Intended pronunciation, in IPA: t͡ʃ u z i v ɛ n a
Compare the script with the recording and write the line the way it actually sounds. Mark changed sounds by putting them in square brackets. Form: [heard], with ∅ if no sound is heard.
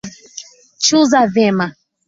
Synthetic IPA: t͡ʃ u z [a] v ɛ [m] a